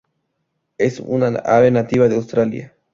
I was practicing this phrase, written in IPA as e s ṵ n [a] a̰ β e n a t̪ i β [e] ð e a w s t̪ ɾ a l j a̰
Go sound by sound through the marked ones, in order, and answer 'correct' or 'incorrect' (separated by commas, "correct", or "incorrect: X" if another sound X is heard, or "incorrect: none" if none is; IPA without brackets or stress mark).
correct, incorrect: a